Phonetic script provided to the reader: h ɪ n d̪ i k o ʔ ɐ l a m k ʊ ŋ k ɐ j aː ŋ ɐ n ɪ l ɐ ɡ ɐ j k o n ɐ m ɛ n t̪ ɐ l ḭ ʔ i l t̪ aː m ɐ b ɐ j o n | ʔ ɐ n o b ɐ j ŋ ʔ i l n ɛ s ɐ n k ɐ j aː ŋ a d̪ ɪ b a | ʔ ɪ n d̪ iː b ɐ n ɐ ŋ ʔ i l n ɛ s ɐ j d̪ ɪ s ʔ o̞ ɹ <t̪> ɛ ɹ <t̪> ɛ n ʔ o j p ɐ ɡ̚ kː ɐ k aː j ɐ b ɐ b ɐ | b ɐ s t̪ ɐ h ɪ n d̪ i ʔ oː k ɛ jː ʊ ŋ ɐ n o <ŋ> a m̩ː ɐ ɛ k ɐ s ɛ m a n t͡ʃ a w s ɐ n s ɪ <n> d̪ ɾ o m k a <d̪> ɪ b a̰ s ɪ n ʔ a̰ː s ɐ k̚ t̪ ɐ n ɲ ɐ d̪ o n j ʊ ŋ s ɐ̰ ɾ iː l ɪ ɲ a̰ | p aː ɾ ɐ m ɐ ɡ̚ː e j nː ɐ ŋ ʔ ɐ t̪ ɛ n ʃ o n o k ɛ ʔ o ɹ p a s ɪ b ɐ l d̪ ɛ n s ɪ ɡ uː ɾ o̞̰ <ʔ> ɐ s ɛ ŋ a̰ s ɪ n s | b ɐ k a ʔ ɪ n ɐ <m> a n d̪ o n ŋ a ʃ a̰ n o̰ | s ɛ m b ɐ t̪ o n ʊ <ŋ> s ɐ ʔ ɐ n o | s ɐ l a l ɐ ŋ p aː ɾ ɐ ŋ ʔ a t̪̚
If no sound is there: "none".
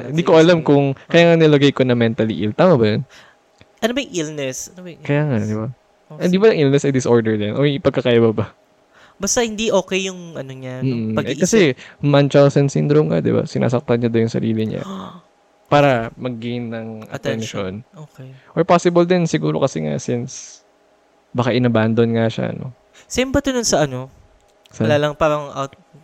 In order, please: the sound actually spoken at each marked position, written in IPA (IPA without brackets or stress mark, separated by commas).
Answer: d̪, d̪, ɲ, n, d̪, k, b, n